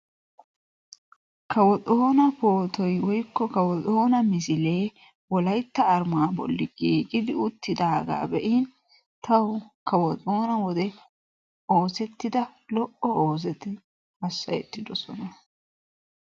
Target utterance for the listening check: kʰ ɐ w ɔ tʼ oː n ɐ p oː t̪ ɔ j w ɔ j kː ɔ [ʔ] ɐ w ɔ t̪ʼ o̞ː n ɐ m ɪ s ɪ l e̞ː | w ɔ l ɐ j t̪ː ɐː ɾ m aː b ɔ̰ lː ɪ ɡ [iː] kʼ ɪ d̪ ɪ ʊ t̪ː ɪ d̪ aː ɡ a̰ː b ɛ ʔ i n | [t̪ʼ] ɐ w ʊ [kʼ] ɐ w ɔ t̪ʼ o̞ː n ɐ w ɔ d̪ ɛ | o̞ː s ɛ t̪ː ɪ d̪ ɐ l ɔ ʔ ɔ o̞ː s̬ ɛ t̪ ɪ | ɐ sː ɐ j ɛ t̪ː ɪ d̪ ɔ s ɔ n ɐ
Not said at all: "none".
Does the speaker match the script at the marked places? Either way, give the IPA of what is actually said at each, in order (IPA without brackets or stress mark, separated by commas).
k, iː, t̪, k